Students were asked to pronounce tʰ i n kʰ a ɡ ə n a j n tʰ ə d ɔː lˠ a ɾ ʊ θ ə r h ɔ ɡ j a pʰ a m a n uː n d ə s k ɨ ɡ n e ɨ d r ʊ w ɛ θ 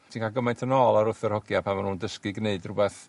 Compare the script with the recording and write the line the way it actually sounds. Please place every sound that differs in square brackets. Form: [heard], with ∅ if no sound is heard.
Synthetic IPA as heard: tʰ i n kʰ a ɡ ə [m] a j n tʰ ə [n] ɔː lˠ a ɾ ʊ θ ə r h ɔ ɡ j a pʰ a m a n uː n d ə s k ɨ ɡ n e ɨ d r ʊ [b] ɛ θ